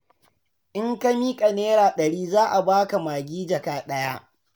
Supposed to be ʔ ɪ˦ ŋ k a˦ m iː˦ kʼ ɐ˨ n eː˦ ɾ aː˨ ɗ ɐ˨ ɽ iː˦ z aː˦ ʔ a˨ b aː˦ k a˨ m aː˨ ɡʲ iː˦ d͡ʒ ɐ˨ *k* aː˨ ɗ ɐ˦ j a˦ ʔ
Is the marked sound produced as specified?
yes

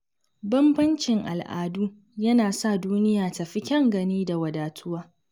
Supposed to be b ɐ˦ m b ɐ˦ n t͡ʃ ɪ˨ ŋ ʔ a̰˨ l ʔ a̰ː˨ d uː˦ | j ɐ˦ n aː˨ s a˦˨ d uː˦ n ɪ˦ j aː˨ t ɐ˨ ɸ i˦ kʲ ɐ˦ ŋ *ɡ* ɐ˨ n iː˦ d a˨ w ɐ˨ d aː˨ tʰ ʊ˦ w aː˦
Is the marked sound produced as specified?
yes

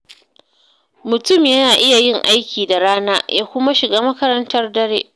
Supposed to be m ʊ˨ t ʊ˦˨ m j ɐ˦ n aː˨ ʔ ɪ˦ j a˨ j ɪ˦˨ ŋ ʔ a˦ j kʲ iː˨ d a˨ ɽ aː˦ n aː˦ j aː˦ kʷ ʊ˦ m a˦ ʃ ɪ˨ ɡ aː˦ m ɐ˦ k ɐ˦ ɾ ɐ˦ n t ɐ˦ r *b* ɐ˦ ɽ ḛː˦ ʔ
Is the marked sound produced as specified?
no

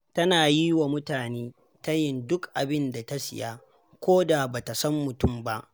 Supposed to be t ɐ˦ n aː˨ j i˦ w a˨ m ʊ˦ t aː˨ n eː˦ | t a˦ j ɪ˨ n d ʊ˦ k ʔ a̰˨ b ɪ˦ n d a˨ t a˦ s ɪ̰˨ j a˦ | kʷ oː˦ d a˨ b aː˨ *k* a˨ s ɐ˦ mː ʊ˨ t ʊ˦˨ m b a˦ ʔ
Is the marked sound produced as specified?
no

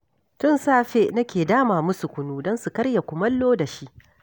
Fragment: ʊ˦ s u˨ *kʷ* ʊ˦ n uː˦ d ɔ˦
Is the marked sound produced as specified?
yes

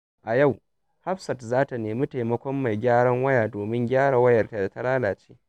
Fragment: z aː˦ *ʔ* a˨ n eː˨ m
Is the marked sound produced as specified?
no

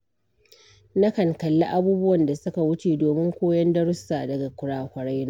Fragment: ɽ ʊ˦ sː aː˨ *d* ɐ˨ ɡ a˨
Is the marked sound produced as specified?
yes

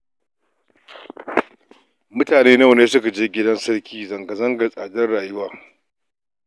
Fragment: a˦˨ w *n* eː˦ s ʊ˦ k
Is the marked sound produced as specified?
yes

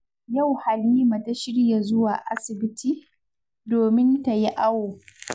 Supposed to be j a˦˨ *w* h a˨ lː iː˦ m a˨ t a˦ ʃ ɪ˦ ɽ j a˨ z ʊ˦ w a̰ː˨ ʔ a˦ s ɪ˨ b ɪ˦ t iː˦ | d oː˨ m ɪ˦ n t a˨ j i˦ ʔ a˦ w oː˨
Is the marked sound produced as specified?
yes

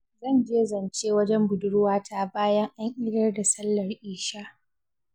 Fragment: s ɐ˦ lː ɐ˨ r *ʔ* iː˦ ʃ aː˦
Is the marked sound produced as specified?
yes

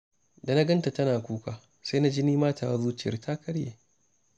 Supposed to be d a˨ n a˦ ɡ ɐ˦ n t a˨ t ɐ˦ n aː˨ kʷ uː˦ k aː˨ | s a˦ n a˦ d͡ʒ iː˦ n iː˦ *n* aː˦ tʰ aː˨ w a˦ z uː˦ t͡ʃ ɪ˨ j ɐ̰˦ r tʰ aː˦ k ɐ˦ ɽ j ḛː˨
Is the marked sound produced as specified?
no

